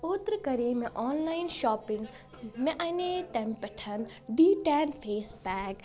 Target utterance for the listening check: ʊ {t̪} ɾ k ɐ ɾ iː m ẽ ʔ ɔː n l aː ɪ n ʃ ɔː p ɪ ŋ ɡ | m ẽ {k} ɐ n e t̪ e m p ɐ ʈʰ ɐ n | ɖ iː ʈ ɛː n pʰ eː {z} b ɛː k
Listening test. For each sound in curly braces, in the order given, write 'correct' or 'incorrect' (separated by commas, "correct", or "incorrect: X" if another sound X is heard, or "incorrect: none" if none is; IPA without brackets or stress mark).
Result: correct, incorrect: ʔ, incorrect: s